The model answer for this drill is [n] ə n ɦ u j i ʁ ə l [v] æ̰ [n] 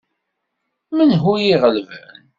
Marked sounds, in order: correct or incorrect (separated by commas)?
incorrect, correct, correct